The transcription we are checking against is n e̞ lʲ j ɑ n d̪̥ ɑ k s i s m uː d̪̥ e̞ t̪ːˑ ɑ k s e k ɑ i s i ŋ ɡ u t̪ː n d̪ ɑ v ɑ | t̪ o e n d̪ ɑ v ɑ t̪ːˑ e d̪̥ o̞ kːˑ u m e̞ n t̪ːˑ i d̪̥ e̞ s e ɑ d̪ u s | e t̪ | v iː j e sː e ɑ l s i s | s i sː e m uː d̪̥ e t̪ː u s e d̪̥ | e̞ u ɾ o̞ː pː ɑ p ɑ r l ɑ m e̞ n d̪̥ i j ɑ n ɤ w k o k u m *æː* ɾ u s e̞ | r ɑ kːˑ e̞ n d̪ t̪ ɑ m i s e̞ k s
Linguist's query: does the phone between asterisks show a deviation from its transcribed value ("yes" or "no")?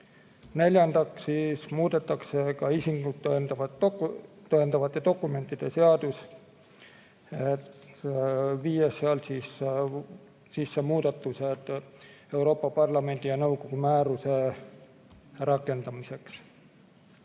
no